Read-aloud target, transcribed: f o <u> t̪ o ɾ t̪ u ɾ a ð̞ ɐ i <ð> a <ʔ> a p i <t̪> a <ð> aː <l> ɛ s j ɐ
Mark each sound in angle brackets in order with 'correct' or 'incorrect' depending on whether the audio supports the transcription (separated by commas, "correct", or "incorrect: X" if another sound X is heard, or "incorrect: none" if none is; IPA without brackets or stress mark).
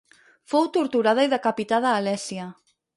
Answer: incorrect: w, correct, incorrect: k, correct, correct, correct